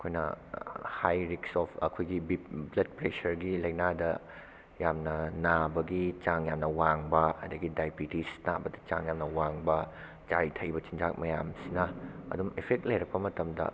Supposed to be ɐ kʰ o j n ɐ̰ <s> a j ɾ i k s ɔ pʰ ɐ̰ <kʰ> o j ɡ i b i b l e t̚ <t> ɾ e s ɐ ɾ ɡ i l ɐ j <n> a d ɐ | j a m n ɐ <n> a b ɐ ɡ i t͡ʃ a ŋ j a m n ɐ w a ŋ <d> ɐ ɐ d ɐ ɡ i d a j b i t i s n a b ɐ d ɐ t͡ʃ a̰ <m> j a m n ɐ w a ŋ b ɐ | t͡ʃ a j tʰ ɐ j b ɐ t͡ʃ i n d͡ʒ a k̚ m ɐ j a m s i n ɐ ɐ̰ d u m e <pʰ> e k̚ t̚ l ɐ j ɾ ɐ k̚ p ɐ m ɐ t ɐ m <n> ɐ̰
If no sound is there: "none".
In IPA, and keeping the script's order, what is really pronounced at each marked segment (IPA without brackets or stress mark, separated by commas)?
h, kʰ, p, n, n, b, ŋ, pʰ, d